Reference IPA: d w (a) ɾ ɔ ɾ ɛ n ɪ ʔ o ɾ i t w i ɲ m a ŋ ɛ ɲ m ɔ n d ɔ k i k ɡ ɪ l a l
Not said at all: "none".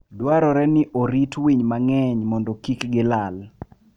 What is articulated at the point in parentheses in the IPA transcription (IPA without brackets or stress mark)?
a